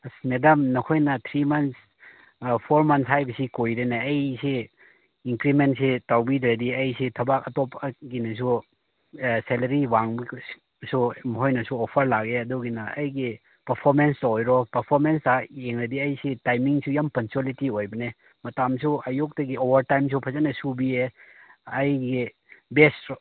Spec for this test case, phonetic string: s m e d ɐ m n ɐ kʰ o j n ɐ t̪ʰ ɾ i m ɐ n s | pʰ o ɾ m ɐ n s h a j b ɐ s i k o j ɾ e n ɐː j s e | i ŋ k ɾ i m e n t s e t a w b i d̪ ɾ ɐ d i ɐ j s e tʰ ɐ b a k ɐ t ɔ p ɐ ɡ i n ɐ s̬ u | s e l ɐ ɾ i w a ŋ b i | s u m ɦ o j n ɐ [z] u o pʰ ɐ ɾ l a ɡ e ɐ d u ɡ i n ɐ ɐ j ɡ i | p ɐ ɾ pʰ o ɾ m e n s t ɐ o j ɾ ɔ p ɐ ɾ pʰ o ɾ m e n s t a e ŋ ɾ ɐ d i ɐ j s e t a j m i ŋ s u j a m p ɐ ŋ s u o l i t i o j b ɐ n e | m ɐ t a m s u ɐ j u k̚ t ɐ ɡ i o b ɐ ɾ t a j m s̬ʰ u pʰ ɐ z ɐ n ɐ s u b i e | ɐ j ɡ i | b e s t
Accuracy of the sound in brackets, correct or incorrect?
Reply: incorrect: s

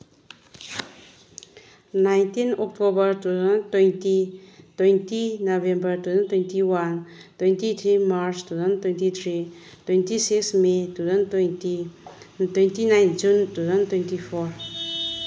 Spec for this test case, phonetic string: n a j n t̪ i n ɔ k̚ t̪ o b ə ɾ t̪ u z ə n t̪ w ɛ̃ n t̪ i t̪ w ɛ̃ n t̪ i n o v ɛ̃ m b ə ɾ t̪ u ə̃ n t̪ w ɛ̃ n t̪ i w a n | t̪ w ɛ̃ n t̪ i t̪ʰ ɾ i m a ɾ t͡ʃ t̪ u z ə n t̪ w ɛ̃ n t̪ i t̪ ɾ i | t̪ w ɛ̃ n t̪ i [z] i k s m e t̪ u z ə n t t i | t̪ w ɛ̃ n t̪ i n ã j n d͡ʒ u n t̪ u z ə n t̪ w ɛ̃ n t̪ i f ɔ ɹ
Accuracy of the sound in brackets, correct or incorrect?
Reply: incorrect: s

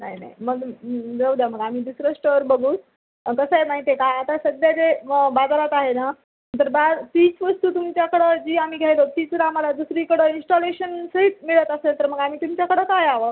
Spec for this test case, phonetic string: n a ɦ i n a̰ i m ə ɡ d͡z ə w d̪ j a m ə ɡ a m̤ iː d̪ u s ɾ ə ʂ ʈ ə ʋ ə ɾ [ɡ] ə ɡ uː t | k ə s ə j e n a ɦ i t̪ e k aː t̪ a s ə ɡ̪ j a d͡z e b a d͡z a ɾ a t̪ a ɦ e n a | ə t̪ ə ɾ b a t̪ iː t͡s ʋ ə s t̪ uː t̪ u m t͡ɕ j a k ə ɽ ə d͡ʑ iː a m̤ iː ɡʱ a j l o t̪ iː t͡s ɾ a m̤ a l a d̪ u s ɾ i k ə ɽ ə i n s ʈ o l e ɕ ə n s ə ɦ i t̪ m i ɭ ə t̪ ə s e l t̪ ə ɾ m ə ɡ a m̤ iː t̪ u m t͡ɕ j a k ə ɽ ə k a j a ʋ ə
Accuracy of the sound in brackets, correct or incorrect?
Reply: incorrect: b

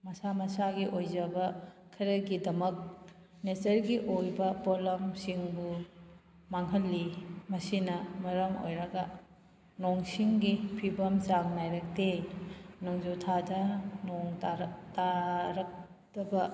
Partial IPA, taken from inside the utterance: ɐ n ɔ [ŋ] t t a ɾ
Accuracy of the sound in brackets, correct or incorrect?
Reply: correct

